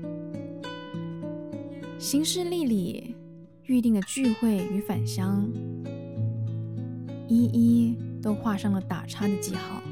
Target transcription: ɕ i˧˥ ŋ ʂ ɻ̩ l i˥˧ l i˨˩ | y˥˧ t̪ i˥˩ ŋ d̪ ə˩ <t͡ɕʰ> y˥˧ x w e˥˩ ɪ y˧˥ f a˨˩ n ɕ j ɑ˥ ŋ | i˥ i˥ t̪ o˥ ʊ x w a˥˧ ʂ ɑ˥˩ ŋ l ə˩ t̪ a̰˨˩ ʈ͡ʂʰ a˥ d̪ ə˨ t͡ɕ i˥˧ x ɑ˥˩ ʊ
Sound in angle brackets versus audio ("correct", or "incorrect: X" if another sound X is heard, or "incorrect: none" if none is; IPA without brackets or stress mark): incorrect: t͡ɕ